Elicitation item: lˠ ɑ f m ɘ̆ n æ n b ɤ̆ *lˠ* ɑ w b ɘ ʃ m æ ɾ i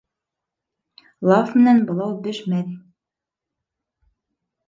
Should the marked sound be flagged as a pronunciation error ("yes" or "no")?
no